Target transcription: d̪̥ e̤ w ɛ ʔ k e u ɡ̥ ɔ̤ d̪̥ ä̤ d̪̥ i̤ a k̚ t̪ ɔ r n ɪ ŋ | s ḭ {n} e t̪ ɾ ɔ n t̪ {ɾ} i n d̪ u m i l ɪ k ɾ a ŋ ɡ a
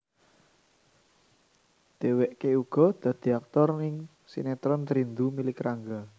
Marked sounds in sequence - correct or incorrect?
correct, correct

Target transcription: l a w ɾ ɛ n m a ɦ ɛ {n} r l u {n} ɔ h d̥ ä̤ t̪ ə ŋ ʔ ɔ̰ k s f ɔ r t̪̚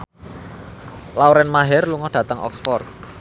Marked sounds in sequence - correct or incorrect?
incorrect: none, incorrect: ŋ

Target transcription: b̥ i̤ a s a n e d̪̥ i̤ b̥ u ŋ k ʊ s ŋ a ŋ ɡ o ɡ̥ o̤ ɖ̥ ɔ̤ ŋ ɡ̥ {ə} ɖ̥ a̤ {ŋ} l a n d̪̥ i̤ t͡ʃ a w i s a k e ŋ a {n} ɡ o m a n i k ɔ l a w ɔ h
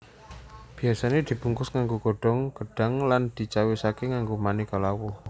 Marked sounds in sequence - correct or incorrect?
correct, correct, incorrect: ŋ

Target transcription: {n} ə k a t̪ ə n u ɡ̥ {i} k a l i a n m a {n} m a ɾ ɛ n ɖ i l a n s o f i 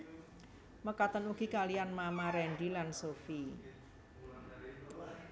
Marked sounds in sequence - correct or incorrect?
incorrect: m, correct, incorrect: none

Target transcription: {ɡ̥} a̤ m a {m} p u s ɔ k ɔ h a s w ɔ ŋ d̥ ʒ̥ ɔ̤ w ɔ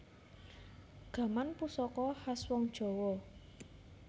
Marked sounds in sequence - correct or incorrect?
correct, incorrect: n

